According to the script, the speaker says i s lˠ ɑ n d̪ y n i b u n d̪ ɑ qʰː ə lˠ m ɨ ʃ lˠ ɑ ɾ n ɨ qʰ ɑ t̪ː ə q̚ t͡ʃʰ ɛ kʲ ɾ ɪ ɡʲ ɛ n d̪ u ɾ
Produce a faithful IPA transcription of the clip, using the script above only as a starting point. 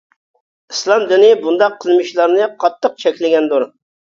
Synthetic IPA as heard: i s lˠ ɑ m d̪ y n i b u n d̪ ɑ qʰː ə lˠ m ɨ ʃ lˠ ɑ ɾ n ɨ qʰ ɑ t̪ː ə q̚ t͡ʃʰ ɛ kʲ l ɪ ɡʲ ɛ n d̪ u ɾ